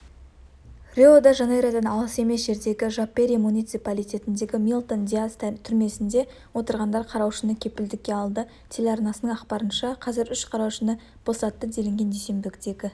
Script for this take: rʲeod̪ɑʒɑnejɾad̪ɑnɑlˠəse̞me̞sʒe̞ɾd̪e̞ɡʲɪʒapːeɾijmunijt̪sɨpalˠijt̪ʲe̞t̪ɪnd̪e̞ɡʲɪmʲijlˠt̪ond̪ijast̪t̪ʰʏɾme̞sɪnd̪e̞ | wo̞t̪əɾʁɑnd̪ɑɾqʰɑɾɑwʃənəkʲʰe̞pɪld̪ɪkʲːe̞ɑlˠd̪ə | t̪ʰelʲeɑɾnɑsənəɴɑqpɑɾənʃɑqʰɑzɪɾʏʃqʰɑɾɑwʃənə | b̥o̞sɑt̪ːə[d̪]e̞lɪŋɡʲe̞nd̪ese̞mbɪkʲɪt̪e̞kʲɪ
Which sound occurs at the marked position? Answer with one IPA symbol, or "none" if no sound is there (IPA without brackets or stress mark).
d̪